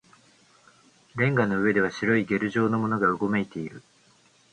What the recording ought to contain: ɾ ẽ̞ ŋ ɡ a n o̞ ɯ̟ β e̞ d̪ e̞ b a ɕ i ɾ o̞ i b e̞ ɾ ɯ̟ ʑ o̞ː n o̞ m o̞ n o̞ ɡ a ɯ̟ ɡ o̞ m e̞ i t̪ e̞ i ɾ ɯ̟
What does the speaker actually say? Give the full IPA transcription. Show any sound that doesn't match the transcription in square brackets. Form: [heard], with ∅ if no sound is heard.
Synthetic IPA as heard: ɾ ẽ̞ ŋ ɡ a n o̞ ɯ̟ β e̞ d̪ e̞ [β] a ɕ i ɾ o̞ i [ɡ] e̞ ɾ ɯ̟ ʑ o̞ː n o̞ m o̞ n o̞ ɡ a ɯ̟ ɡ o̞ m e̞ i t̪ e̞ i ɾ ɯ̟